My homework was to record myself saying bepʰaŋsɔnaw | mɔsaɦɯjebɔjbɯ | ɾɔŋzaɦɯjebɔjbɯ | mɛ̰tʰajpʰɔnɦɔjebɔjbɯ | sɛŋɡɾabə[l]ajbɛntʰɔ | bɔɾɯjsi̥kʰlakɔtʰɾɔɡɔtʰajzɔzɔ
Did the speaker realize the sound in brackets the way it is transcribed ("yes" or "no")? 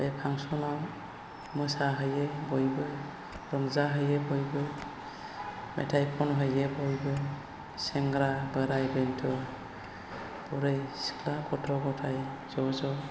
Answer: no